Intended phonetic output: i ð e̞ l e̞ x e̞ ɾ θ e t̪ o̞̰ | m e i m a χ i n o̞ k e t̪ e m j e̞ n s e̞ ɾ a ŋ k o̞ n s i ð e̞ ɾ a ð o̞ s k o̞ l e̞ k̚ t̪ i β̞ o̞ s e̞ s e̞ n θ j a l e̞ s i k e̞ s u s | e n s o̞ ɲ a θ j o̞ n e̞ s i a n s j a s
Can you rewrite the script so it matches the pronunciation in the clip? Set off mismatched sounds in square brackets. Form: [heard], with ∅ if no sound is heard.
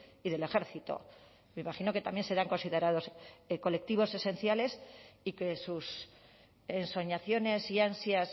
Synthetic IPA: i ð e̞ l e̞ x e̞ ɾ θ [i] t̪ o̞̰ | m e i m a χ i n o̞ k e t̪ [a] m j e̞ n s e̞ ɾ a ŋ k o̞ n s i ð e̞ ɾ a ð o̞ s k o̞ l e̞ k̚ t̪ i β̞ o̞ s e̞ s e̞ n θ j a l e̞ s i k e̞ s u s | e n s o̞ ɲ a θ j o̞ n e̞ s i a n s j a s